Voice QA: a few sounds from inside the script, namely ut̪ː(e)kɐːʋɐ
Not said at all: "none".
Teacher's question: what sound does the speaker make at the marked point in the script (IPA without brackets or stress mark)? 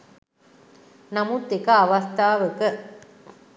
e